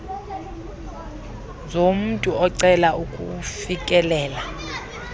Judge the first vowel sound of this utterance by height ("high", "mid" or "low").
mid